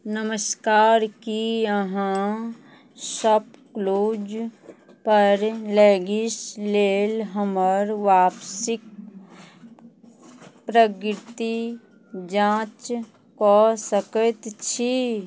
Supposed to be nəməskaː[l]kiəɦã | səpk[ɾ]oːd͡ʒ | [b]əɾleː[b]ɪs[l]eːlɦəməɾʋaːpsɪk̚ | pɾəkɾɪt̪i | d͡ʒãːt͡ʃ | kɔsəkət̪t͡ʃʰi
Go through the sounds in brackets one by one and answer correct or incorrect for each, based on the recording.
incorrect: ɾ, incorrect: l, incorrect: p, incorrect: ɡ, correct

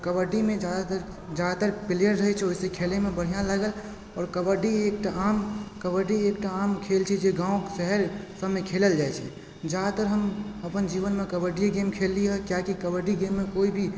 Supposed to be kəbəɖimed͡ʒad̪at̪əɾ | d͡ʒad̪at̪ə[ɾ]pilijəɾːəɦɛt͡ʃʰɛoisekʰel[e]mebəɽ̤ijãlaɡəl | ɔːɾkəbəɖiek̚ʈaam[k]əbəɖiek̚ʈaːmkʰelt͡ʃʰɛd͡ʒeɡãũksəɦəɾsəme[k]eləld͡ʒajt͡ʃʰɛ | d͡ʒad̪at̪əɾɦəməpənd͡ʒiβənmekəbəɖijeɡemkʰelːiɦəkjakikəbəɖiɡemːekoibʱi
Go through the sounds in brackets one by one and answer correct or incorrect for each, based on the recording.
correct, correct, correct, incorrect: kʰ

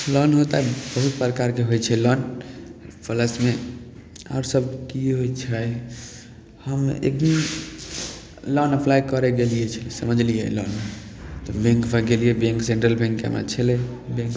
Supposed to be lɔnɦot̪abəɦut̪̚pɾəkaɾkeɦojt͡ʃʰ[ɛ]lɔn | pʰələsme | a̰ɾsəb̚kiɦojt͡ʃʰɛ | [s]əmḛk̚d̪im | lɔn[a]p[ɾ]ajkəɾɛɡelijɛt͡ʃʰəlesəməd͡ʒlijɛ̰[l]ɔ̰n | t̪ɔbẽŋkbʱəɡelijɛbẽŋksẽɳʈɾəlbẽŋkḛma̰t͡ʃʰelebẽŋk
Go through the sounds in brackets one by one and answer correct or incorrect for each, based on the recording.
correct, incorrect: h, incorrect: ə, incorrect: l, correct

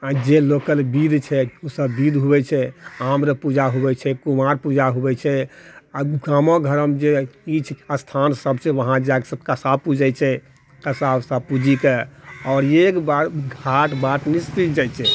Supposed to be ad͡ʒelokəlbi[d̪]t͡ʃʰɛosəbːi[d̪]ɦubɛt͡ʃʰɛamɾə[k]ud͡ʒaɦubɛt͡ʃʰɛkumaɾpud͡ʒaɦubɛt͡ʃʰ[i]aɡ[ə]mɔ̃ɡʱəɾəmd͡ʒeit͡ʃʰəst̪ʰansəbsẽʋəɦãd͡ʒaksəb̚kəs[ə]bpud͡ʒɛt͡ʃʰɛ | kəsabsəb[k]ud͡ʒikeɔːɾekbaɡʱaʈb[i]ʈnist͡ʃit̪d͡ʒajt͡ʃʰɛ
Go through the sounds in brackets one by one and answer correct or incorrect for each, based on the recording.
correct, correct, incorrect: p, incorrect: ɛ, incorrect: a, incorrect: a, incorrect: p, incorrect: a

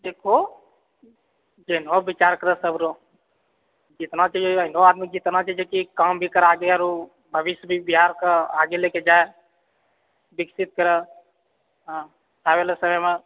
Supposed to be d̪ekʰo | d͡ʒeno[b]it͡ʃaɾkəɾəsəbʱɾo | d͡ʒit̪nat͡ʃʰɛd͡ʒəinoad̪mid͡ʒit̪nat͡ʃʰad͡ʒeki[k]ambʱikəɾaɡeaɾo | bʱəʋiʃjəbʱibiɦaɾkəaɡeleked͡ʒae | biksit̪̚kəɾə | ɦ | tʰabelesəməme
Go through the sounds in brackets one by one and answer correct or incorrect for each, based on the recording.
correct, correct

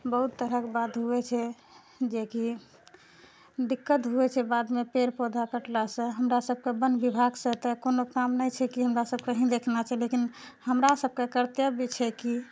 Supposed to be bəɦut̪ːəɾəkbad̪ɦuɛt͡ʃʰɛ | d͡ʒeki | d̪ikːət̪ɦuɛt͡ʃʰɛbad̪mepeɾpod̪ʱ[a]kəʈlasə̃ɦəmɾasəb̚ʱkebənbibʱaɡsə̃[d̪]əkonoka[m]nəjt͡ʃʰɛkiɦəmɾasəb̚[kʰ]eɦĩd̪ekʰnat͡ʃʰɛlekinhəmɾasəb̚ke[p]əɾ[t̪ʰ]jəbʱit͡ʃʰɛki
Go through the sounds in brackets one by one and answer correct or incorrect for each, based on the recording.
correct, incorrect: t̪, correct, incorrect: k, incorrect: k, incorrect: t̪

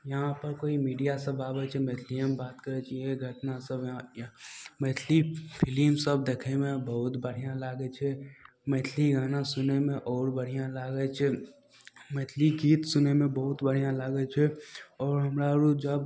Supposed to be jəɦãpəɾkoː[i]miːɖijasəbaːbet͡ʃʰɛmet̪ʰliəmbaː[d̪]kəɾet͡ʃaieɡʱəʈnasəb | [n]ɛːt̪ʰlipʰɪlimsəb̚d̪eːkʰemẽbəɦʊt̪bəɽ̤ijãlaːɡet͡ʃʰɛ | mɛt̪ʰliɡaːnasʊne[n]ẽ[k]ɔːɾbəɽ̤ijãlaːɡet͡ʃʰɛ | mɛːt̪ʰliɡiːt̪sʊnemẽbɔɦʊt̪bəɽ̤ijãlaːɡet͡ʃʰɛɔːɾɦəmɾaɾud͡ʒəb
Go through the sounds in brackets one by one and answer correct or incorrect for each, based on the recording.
correct, incorrect: t̪, incorrect: m, incorrect: m, incorrect: ʔ

